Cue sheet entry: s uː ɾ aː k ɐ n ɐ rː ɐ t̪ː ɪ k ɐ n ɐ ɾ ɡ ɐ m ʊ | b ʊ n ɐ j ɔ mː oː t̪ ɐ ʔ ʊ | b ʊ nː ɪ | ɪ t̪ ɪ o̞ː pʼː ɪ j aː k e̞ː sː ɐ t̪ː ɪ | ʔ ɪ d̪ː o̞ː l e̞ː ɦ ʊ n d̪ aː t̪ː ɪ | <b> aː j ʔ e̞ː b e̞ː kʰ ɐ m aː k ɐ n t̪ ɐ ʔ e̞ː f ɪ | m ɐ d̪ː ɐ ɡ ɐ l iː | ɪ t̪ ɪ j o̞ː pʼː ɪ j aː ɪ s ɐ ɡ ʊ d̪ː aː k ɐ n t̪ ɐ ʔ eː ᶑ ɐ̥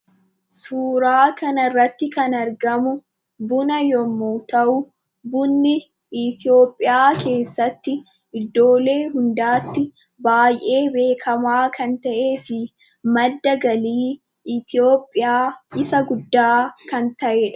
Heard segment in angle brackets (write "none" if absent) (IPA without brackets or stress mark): b